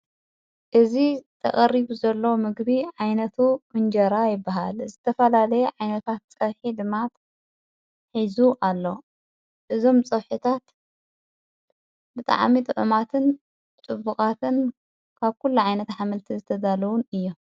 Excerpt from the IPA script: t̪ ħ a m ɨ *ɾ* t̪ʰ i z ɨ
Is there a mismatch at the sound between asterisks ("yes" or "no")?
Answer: yes